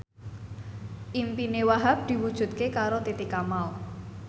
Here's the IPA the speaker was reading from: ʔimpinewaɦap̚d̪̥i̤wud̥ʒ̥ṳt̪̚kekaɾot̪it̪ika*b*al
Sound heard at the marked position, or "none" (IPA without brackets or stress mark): m